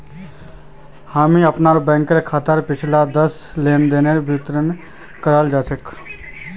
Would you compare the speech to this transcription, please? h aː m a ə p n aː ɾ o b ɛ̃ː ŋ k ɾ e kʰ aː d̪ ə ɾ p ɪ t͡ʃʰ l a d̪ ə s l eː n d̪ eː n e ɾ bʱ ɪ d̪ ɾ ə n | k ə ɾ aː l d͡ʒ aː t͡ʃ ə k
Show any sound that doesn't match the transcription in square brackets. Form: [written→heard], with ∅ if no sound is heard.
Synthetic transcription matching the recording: h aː m [a→i] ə p n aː ɾ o b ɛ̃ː ŋ k ɾ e kʰ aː [d̪→t̪] ə ɾ p ɪ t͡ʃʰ l a d̪ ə s l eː n d̪ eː n e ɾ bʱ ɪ [d̪→t̪] ɾ ə n | k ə ɾ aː l d͡ʒ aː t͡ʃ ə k